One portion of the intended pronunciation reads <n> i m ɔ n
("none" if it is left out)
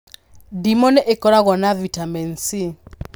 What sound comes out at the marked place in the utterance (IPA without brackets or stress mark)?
d